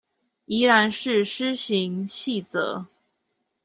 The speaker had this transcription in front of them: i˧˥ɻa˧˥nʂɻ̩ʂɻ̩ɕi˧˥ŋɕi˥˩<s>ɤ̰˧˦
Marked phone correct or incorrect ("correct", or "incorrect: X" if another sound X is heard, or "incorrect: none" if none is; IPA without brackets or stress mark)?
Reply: incorrect: t͡s